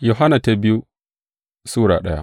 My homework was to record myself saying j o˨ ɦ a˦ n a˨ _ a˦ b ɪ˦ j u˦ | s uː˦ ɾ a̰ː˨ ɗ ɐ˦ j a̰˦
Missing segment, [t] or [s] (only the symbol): t